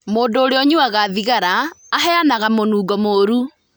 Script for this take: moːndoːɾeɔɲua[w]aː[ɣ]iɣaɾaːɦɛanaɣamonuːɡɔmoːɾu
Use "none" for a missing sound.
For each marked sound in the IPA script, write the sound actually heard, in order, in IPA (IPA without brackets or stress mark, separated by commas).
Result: ɣ, ð